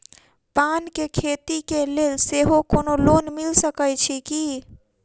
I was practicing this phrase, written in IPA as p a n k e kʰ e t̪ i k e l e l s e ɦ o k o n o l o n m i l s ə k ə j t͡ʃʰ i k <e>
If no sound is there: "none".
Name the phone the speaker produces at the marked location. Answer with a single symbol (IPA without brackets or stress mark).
i